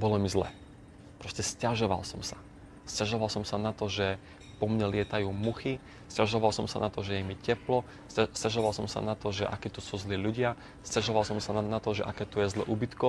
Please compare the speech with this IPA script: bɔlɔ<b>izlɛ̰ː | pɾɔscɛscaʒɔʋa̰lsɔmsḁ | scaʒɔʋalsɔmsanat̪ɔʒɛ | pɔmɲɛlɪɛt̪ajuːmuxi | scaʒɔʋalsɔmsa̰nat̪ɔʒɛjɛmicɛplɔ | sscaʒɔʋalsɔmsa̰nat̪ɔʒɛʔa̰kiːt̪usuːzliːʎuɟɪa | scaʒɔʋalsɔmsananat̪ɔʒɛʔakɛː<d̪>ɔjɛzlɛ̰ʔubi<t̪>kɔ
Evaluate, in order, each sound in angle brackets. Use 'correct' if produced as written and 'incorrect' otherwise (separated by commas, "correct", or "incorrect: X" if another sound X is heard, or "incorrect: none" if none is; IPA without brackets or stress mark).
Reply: incorrect: m, incorrect: t̪, correct